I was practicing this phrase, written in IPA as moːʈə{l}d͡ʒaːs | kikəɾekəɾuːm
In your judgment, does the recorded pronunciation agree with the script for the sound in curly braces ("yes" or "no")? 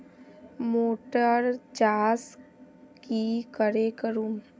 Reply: no